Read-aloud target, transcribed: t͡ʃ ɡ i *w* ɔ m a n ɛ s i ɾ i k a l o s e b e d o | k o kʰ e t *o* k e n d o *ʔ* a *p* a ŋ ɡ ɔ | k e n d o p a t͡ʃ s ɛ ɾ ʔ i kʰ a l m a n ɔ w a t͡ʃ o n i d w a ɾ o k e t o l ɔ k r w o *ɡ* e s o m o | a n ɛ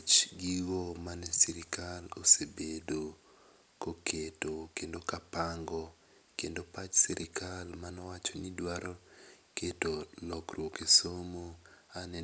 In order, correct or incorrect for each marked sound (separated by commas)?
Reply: correct, correct, incorrect, correct, incorrect